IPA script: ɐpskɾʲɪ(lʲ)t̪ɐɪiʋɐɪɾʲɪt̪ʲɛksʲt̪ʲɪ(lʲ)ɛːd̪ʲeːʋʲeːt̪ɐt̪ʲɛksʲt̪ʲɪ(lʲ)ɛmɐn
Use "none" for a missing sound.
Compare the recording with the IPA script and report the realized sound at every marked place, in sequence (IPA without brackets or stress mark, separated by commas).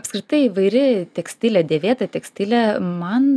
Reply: none, lʲ, lʲ